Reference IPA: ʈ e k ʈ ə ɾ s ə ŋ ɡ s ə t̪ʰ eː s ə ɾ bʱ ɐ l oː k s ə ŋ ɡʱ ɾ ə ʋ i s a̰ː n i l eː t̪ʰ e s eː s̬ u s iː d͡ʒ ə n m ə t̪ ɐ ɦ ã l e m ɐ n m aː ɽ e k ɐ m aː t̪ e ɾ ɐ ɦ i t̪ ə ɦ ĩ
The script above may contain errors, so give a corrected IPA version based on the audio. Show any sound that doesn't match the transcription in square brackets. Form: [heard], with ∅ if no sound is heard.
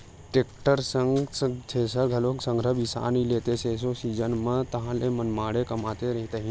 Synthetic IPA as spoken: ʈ e k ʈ ə ɾ s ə ŋ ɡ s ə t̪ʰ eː s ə ɾ [ɡʱ] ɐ l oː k s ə ŋ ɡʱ ɾ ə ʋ i s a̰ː n i l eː [t̪] e s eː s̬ [o] s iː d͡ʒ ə n m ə t̪ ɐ ɦ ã l e m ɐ n m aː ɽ e k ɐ m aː t̪ e ɾ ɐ ɦ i t̪ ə ɦ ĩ